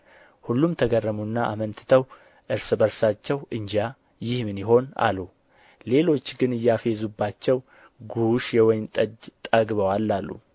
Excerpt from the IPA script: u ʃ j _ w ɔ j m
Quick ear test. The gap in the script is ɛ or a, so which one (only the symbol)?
ɛ